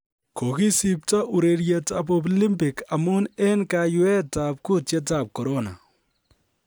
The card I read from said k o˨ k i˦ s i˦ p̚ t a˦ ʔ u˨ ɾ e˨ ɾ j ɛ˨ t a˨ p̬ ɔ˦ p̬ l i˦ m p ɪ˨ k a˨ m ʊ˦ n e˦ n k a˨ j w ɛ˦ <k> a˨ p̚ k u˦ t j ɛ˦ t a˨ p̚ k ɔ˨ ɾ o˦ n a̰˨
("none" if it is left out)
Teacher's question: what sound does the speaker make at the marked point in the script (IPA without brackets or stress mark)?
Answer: t